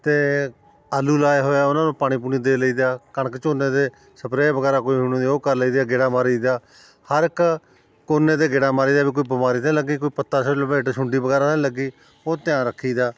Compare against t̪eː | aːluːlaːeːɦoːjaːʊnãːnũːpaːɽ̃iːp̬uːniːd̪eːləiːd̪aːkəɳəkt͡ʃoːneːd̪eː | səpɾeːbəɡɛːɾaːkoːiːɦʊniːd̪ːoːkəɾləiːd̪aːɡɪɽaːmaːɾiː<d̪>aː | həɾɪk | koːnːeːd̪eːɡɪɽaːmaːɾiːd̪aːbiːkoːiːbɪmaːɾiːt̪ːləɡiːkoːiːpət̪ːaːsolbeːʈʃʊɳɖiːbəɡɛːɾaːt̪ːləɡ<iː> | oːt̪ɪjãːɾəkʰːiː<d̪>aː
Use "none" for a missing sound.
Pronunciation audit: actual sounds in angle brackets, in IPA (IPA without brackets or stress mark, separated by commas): d̪, iː, d̪